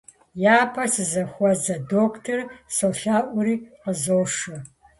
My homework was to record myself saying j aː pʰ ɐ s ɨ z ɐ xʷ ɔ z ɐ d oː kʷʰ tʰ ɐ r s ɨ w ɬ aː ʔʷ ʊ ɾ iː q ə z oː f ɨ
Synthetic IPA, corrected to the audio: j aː pʰ ɐ s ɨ z ɐ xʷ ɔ z ɐ d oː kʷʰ tʰ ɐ r s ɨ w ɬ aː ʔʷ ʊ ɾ iː q ə z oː ʂ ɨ

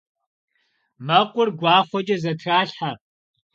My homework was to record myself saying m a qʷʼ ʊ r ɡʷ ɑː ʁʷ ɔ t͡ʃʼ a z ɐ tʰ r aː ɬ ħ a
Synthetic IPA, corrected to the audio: m ɐ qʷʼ ʊ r ɡʷ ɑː χʷ ɔ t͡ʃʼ ɐ z ɐ tʰ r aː ɬ ħ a

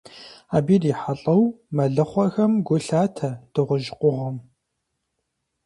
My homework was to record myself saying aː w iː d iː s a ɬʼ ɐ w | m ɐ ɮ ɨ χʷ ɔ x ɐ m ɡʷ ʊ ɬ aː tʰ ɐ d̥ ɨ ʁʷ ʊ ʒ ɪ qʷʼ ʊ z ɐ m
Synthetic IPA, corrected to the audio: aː b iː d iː ħ a ɬʼ ɐ w | m ɐ ɮ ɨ χʷ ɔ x ɐ m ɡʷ ʊ ɬ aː tʰ ɐ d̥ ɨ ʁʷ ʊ ʒ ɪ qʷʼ ʊ ʁ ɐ m

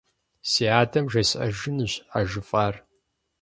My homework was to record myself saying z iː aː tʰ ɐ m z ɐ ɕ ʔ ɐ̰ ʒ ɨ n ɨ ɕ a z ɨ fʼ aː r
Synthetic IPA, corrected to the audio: s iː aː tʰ ɐ m ʒ ɐ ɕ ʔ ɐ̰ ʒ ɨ n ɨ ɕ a ʒ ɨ fʼ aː r

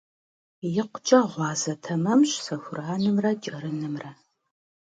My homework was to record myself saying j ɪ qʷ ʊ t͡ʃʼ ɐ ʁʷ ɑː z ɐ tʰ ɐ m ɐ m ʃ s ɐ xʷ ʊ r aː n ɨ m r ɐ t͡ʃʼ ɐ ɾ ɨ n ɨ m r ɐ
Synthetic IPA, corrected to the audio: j ɪ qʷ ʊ t͡ʃʼ ɐ ʁʷ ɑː z ɐ tʰ ɐ m ɐ m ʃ s ɐ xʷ ʊ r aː n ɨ m r ɐ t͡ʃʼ ɐ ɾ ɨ n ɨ m r ɐ

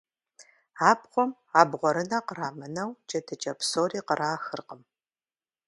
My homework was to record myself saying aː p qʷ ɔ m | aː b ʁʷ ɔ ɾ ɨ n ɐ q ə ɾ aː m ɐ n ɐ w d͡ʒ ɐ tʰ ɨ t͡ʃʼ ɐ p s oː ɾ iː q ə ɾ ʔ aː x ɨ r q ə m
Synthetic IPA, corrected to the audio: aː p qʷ ɔ m | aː b ʁʷ ɔ ɾ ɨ n ɐ q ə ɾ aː m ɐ n ɐ w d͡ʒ ɐ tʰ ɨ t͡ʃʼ ɐ p s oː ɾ iː q ə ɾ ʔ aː x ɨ r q ə m

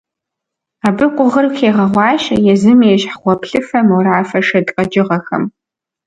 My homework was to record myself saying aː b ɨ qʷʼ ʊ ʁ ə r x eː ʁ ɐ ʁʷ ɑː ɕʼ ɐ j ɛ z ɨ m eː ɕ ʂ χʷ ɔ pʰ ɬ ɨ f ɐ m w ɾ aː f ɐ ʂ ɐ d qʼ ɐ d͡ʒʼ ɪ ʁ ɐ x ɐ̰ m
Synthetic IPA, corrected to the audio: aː b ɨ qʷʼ ʊ ʁ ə r x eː ʁ ɐ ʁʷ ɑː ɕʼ ɐ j ɛ z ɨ m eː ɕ ħ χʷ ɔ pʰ ɬ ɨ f ɐ m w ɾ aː f ɐ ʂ ɐ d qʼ ɐ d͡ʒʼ ɪ ʁ ɐ x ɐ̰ m

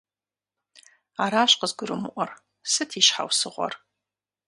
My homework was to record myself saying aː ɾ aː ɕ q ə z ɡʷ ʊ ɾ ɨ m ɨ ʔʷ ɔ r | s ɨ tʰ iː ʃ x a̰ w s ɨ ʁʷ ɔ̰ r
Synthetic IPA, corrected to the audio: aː ɾ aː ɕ q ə z ɡʷ ʊ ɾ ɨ m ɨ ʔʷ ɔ r | s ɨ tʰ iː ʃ ħ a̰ w s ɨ ʁʷ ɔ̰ r

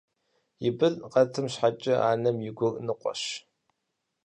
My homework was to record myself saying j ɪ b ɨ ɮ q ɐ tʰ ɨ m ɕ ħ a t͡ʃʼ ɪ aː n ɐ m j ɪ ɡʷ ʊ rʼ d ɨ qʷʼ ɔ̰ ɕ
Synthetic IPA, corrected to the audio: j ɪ b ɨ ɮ q ɐ tʰ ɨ m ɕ ħ a t͡ʃʼ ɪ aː n ɐ m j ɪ ɡʷ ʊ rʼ n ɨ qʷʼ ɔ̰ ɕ

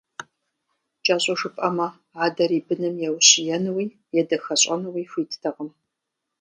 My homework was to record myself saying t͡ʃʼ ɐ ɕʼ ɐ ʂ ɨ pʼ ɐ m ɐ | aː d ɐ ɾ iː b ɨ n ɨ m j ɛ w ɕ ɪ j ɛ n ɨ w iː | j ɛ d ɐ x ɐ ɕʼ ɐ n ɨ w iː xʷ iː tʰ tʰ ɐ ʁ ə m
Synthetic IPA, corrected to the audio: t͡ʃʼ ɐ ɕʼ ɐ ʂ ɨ pʼ ɐ m ɐ | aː d ɐ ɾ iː b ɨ n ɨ m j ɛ w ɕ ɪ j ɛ n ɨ w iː | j ɛ d ɐ x ɐ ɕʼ ɐ n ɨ w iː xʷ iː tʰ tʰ ɐ ʁ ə m

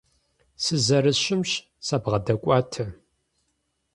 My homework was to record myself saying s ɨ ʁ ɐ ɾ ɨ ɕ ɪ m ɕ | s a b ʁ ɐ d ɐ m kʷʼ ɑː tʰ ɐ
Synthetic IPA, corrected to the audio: s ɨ z ɐ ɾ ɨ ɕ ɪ m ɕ | s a b ʁ ɐ d ɐ kʷʼ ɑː tʰ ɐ

